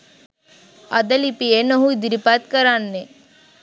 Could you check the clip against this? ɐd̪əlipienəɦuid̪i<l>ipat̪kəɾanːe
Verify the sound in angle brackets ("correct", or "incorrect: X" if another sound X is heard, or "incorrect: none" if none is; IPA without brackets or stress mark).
incorrect: ɾ